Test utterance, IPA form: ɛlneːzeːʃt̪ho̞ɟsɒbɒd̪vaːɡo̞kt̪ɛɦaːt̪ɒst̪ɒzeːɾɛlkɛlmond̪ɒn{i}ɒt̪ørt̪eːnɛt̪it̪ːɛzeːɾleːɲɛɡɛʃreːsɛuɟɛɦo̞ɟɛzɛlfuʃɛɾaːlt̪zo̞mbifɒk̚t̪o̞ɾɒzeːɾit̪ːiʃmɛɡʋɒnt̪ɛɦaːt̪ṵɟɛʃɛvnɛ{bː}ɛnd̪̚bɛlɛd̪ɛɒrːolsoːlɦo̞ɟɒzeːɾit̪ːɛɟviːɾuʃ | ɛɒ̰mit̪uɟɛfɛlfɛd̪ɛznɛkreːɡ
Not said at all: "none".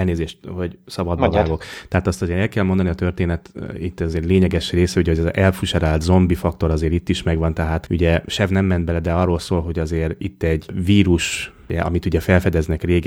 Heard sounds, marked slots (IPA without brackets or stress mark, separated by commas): i, mː